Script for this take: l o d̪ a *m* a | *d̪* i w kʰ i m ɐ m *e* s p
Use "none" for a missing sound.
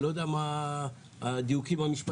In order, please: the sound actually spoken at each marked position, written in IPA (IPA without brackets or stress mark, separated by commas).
m, d̪, i